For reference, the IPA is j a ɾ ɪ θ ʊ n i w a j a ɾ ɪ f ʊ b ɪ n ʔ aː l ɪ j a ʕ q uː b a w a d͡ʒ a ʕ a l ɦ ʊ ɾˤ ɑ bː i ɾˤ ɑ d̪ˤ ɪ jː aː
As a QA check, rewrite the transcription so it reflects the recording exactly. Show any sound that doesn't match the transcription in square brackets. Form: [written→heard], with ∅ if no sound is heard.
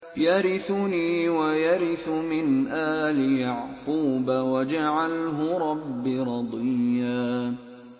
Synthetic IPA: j a ɾ ɪ θ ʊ n [i→iː] w a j a ɾ ɪ [f→θ] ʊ [b→m] ɪ n ʔ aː l ɪ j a ʕ q uː b a w a d͡ʒ a ʕ a l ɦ ʊ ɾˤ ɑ bː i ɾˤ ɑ d̪ˤ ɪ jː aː